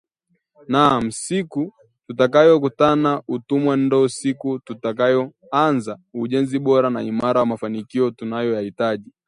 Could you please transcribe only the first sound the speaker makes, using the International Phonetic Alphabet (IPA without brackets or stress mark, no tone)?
n